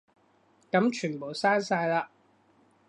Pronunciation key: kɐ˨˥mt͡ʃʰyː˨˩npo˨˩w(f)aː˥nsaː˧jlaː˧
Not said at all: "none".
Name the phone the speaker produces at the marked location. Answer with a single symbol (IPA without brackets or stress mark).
s